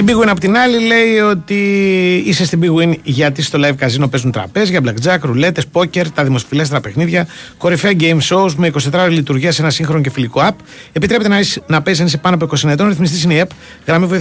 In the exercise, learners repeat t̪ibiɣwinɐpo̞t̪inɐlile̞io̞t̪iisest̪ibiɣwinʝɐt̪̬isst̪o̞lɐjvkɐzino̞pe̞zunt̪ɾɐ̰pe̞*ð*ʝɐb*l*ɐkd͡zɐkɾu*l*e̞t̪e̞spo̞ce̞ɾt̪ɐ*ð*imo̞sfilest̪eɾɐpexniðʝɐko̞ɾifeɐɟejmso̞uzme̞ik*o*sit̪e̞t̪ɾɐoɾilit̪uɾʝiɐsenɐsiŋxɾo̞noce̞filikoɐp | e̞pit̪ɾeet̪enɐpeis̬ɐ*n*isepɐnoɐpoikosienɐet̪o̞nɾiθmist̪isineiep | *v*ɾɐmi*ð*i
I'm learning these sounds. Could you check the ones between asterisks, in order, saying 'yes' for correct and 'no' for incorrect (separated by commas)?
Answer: no, yes, yes, yes, yes, yes, no, no